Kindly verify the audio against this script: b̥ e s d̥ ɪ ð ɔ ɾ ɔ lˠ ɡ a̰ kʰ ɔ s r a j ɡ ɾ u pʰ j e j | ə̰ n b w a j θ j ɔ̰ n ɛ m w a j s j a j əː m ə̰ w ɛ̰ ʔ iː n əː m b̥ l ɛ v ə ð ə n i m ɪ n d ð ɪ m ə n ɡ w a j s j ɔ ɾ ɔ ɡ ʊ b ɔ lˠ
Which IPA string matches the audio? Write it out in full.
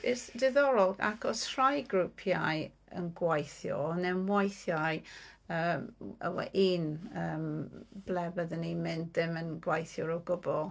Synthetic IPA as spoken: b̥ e s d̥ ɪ ð ɔ ɾ ɔ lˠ ɡ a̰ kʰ ɔ s r a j ɡ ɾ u pʰ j a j | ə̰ n ɡ w a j θ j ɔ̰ n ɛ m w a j θ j a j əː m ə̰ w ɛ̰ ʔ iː n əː m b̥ l ɛ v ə ð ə n i m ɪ n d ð ɪ m ə n ɡ w a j θ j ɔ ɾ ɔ ɡ ʊ b ɔ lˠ

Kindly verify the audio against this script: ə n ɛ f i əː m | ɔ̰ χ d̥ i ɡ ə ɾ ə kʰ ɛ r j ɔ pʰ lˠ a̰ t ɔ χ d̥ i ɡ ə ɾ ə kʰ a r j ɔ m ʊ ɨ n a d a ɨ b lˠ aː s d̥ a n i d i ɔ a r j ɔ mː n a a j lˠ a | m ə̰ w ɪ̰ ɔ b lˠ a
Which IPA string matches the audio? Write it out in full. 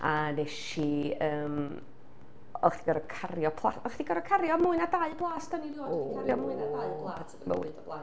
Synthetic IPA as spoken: a n ɛ ʃ i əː m | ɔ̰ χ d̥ i ɡ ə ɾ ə kʰ a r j ɔ pʰ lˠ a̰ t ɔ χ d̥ i ɡ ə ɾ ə kʰ a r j ɔ m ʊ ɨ n a d a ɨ b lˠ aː s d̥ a n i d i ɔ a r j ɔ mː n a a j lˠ a | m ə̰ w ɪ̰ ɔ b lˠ a

